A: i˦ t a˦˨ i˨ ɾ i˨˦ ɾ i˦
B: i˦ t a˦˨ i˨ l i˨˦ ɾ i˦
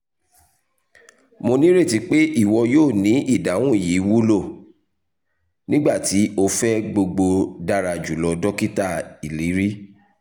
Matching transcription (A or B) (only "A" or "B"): B